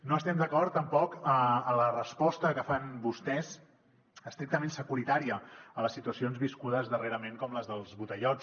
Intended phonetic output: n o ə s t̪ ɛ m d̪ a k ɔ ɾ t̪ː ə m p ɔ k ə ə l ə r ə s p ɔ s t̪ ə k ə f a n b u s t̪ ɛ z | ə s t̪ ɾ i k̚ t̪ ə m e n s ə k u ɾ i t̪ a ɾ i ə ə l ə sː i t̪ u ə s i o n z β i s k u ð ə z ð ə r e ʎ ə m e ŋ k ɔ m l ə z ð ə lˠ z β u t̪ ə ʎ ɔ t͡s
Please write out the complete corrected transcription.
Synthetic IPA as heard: n o ə s t̪ ɛ m d̪ ə k ɔ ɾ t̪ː ə m p ɔ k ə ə l ə r ə s p ɔ s t̪ ə k ə f a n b u s t̪ ɛ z | ə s t̪ ɾ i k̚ t̪ ə m e n s ə k u ɾ i t̪ a ɾ i ə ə l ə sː i t̪ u ə s i o n z β i s k u ð ə z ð ə r e ɾ ə m e ŋ k ɔ m l ə z ð ə lˠ z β u t̪ ə ʎ ɔ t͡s